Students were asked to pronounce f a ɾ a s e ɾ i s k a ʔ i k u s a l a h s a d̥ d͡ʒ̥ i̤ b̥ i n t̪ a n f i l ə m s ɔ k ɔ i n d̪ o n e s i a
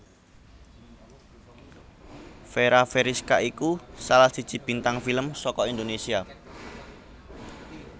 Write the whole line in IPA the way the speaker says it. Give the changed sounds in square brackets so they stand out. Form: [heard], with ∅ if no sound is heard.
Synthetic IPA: f [e] ɾ a [f] e ɾ i s k a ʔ i k u s a l a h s [i] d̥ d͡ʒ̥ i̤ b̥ i n t̪ a [ŋ] f i l ə m s ɔ k ɔ i n d̪ o n e s i a